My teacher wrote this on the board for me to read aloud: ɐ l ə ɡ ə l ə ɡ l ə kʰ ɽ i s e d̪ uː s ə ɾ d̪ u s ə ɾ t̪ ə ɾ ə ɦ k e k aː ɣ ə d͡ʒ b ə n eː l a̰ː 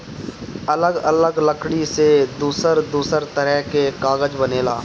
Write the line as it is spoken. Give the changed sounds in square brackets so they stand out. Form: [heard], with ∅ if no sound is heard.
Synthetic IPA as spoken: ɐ l ə ɡ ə l ə ɡ l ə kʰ ɽ i s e d̪ uː s ə ɾ d̪ [uː] s ə ɾ t̪ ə ɾ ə ɦ k e k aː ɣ ə d͡ʒ b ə n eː l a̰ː

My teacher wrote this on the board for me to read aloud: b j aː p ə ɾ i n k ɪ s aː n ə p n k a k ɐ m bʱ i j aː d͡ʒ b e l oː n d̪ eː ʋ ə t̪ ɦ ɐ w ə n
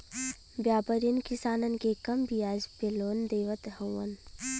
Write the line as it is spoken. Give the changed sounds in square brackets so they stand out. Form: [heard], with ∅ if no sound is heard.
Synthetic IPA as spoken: b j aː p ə ɾ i n k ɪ s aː n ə [∅] n k [e] k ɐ m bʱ i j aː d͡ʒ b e l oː n d̪ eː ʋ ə t̪ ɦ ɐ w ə n

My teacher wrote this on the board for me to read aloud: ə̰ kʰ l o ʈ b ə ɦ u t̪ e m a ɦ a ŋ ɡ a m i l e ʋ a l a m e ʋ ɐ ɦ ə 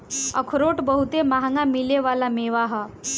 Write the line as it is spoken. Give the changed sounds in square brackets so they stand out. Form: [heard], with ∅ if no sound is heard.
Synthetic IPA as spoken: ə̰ kʰ [ɾ] o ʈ b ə ɦ u t̪ e m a ɦ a ŋ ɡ a m i l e ʋ a l a m e ʋ [a] ɦ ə

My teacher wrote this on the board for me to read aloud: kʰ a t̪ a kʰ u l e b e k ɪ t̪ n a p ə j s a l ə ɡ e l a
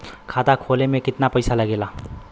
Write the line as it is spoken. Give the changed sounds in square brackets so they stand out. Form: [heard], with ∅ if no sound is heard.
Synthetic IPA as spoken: kʰ a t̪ a kʰ [o] l e [m] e k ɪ t̪ n a p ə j s a l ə ɡ e l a

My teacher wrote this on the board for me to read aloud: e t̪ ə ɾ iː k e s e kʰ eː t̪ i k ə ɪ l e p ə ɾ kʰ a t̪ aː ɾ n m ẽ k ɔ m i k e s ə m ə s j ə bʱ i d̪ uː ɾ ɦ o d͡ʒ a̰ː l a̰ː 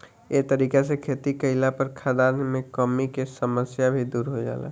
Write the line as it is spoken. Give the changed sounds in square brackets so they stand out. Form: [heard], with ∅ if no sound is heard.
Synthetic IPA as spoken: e t̪ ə ɾ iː k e s e kʰ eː t̪ i k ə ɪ l [a] p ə ɾ kʰ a [d̪] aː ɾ n m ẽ k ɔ m i k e s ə m ə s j [a] bʱ i d̪ uː ɾ ɦ o d͡ʒ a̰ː l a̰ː

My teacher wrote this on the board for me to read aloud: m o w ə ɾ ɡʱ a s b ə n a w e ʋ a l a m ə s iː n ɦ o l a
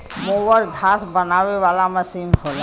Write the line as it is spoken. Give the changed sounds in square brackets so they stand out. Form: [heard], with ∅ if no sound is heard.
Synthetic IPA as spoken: m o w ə ɾ ɡʱ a s b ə n a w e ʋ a l a m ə s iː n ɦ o l a

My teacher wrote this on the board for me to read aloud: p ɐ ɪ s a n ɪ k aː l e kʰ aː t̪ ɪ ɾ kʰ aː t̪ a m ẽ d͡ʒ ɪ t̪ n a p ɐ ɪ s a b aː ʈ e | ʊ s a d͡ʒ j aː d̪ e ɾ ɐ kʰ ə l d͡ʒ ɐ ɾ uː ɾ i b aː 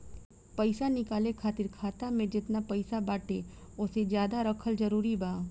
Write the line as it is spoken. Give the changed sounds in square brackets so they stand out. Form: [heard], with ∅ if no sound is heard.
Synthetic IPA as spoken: p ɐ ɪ s a n ɪ k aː l e kʰ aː t̪ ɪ ɾ kʰ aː t̪ a m ẽ d͡ʒ ɪ t̪ n a p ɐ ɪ s a b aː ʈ e | ʊ s [e] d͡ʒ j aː d̪ [a] ɾ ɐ kʰ ə l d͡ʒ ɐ ɾ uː ɾ i b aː

